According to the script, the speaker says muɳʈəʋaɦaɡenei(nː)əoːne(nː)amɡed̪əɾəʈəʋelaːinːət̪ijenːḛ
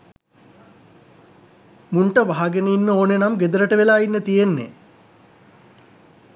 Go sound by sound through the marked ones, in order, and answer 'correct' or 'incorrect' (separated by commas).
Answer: correct, incorrect